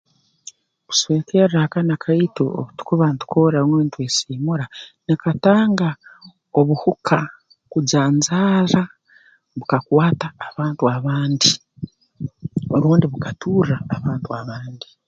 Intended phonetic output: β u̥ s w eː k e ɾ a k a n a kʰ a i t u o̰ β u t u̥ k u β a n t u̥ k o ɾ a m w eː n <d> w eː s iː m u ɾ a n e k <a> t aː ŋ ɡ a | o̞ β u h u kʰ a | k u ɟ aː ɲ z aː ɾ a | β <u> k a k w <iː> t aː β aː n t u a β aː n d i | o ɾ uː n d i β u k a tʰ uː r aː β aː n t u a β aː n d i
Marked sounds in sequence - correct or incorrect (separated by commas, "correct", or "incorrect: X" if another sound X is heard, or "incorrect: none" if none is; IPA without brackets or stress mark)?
incorrect: t, correct, correct, incorrect: aː